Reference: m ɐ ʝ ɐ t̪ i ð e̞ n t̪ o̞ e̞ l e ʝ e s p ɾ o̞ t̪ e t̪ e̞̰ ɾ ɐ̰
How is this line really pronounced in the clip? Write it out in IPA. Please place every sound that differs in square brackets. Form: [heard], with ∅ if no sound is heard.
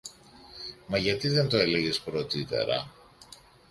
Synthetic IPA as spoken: m ɐ ʝ ɐ t̪ i ð e̞ n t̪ o̞ e̞ l e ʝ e s p ɾ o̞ t̪ [i] t̪ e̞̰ ɾ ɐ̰